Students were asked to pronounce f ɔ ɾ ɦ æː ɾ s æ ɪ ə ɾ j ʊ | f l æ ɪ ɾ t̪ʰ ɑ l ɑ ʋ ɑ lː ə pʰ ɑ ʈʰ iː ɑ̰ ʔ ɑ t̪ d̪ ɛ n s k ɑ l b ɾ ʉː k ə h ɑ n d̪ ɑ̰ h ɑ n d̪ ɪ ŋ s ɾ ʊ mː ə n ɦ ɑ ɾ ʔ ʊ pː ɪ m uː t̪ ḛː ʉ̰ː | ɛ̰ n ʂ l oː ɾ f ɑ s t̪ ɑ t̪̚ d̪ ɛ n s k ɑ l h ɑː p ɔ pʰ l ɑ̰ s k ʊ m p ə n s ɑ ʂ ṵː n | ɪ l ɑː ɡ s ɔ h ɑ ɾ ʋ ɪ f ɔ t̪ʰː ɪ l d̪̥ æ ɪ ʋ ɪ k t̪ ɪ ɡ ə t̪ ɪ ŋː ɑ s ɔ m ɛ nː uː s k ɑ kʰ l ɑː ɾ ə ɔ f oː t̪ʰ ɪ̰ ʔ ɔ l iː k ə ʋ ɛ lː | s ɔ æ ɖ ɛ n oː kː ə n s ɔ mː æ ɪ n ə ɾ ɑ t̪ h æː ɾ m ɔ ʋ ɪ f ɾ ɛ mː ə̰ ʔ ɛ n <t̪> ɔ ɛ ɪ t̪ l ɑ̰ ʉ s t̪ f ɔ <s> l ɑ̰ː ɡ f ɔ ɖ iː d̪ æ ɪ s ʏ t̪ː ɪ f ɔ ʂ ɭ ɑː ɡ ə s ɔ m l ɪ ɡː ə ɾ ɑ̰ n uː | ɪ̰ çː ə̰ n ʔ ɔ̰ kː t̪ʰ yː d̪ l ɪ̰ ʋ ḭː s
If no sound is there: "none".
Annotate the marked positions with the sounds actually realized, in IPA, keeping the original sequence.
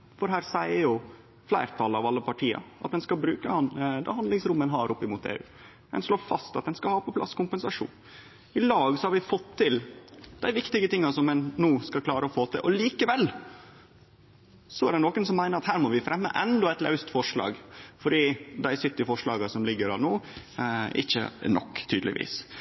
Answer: d̪, ʂ

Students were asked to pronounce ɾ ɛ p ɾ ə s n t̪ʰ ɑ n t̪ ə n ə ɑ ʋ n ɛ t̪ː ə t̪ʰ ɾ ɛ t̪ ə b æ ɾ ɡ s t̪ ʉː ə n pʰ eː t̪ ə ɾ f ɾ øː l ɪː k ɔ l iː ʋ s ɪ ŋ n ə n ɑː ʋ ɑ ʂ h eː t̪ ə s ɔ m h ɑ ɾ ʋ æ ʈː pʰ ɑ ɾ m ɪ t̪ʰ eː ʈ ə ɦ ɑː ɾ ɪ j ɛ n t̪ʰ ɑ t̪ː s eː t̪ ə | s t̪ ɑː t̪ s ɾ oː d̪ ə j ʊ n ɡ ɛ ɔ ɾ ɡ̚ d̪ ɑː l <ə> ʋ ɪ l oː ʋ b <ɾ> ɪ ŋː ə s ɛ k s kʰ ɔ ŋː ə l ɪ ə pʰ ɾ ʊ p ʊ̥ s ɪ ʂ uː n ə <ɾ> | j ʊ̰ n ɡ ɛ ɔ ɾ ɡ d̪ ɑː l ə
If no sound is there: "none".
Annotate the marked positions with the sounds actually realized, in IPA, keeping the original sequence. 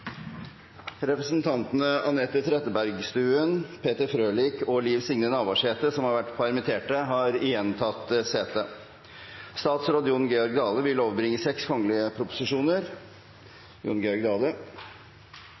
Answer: ə, ɾ, ɾ

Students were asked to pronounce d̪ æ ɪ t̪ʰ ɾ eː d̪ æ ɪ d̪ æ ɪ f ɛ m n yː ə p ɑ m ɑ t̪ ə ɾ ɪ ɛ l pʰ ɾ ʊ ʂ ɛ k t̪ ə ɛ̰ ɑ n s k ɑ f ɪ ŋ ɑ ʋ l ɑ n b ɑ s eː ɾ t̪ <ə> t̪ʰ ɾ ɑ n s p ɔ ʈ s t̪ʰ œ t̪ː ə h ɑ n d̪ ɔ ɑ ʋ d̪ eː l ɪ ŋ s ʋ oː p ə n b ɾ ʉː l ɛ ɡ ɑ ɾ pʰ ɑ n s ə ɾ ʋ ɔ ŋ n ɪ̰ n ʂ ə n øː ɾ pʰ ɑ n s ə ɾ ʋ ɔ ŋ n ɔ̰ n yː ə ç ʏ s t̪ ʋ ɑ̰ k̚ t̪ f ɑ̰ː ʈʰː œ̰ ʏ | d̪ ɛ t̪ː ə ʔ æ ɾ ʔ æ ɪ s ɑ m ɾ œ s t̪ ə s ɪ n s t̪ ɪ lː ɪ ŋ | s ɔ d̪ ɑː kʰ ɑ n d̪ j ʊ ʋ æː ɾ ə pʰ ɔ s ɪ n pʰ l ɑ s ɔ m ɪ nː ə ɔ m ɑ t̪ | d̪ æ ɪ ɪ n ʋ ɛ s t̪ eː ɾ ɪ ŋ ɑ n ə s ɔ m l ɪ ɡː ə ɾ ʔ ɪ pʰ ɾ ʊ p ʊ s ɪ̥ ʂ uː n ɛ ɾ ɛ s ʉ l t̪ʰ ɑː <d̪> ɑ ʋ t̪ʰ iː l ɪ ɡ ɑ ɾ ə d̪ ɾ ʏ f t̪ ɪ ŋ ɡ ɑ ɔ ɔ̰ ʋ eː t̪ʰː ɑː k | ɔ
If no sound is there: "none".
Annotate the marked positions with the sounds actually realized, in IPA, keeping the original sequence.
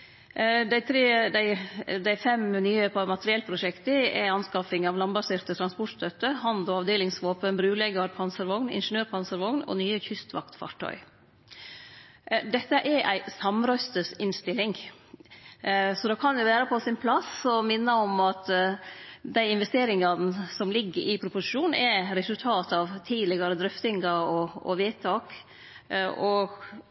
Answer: ə, t̪

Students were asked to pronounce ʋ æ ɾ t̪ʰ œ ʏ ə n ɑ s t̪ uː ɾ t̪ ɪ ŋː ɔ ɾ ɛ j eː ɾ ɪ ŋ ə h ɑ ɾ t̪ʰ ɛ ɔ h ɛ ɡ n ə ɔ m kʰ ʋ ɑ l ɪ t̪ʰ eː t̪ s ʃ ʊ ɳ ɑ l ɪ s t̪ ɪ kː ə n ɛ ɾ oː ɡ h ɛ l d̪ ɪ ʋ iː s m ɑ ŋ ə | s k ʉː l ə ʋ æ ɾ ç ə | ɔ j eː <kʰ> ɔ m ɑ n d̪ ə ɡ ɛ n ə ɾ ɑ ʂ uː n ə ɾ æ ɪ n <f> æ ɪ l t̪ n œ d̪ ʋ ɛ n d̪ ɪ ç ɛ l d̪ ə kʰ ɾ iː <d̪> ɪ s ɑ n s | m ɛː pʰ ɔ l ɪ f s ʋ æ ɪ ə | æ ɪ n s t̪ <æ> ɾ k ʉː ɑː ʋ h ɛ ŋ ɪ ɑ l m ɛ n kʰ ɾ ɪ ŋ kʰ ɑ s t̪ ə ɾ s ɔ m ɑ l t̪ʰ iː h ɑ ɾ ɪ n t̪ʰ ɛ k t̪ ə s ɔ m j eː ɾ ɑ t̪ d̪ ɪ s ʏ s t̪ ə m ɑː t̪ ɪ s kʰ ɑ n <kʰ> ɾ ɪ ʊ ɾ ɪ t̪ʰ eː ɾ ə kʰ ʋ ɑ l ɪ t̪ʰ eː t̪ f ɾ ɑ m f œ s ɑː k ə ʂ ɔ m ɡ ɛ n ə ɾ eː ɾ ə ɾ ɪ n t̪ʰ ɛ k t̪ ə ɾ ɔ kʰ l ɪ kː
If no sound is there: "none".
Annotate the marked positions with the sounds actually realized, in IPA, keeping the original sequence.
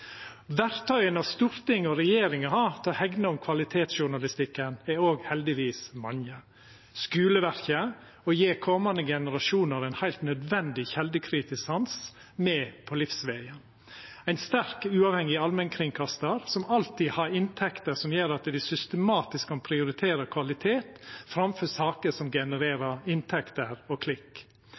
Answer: kʰ, h, t̪, æ, pʰ

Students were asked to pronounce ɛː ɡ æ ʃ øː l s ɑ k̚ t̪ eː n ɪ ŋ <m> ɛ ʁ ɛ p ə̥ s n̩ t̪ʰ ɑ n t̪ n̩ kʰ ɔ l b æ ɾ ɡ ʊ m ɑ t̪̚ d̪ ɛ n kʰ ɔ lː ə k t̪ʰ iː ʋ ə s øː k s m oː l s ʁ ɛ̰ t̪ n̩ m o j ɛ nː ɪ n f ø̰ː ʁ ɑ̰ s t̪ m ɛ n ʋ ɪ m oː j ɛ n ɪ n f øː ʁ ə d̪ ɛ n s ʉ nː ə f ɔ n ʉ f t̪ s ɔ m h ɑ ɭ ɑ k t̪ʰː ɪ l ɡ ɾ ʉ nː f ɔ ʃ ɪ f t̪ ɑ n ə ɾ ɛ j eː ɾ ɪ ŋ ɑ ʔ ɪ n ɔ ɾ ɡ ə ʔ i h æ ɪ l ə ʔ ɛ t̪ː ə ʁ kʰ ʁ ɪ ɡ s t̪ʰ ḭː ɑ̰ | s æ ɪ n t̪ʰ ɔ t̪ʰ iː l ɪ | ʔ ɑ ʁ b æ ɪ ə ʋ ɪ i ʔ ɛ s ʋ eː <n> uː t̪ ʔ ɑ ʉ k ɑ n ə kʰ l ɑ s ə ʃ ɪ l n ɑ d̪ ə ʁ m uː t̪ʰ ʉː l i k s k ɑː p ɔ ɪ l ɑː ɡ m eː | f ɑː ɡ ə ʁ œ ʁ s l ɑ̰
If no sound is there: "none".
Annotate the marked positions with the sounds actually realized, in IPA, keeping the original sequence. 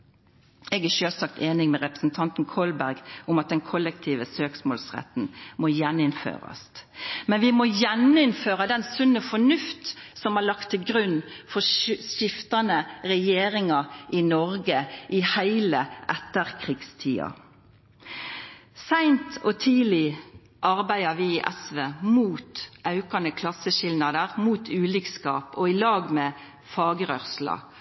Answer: m, m

